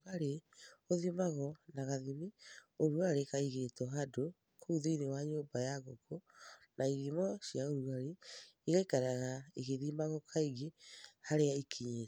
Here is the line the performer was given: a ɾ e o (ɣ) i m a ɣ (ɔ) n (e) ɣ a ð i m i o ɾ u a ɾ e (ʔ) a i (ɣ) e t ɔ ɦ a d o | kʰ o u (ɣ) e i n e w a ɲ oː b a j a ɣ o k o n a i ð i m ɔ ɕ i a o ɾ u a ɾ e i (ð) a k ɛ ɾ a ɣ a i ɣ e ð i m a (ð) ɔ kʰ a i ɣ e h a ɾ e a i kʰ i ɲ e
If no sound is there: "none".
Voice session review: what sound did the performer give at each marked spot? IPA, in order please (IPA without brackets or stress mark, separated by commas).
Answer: ð, ɔ, a, k, ɣ, ð, ɣ, ɣ